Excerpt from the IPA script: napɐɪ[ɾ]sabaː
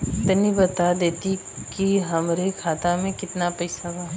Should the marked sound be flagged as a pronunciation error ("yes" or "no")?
yes